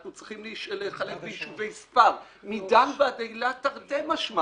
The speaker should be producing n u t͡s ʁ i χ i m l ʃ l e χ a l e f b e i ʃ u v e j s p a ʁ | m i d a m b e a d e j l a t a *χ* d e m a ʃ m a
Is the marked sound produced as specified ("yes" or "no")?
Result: no